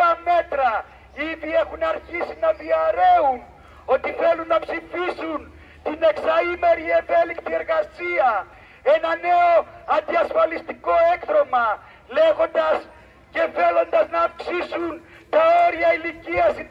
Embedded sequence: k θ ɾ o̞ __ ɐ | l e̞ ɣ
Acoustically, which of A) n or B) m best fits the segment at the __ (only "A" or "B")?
B